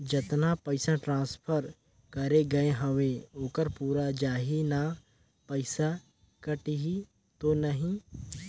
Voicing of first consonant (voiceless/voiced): voiced